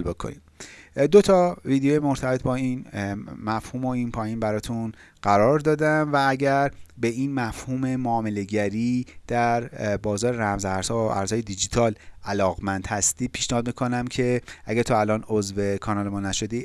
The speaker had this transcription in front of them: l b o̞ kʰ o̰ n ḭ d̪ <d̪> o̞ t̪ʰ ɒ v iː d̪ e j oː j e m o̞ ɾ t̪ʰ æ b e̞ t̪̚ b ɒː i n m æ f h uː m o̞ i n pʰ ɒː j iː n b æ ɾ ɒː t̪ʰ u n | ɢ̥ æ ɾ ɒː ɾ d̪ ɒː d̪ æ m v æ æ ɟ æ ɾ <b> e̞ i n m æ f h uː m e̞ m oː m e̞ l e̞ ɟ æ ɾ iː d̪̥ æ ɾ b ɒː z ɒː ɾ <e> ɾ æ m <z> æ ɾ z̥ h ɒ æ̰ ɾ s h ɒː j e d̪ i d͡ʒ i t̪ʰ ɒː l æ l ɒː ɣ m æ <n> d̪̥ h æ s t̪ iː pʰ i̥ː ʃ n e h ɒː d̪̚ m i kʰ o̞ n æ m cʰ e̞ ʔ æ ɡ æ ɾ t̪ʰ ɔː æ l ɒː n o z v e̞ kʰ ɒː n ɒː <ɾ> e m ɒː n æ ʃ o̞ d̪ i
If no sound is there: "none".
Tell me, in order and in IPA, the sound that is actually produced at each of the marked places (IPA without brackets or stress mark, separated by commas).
d̪, b, e, z, n, l